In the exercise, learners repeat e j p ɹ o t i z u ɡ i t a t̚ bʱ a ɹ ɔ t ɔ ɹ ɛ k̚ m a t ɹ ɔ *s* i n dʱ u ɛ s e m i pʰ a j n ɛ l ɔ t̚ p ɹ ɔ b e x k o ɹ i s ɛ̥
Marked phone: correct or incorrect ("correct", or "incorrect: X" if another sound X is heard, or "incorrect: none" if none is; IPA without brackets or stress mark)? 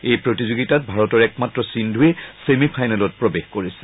correct